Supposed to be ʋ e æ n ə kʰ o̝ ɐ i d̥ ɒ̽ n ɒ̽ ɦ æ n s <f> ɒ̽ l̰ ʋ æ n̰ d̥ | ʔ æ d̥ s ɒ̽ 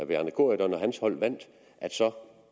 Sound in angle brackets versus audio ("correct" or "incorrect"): incorrect